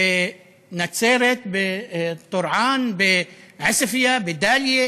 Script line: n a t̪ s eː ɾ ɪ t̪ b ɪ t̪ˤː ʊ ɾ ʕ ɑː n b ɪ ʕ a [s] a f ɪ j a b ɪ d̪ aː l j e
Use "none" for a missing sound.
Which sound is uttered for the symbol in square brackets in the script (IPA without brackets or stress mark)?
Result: s